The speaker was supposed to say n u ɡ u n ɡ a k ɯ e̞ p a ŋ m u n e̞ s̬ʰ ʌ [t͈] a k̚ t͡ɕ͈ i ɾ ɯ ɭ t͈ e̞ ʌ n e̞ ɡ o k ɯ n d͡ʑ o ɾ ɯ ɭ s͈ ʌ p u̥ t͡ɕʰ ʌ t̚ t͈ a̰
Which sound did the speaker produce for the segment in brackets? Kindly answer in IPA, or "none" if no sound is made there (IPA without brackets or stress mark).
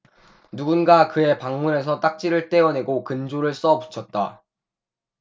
t͈